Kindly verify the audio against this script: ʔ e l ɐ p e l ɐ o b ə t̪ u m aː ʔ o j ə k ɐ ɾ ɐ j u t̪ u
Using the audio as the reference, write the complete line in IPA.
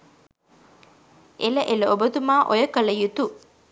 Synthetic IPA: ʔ e l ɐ ʔ e l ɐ o b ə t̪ u m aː ʔ o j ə k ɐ l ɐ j u t̪ u